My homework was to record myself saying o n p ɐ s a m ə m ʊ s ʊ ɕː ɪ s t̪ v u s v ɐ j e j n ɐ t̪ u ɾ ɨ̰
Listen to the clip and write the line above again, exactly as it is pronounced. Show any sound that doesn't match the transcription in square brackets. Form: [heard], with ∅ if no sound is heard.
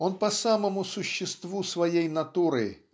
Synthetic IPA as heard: o n p ɐ s a m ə m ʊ s ʊ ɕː ɪ s t̪ v u s v ɐ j e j n ɐ t̪ u ɾ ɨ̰